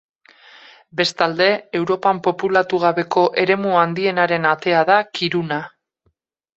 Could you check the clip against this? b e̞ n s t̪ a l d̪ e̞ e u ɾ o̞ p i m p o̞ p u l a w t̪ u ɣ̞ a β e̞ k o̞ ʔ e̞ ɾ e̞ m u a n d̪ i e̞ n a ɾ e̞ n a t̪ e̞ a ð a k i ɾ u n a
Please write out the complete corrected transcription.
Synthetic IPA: b e̞ s t̪ a l d̪ e̞ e w ɾ o̞ p a m p o̞ p u l a t̪ u ɣ̞ a β e̞ k o̞ ʔ e̞ ɾ e̞ m u a n d̪ i e̞ n a ɾ e̞ n a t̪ e̞ a ð a k i ɾ u n a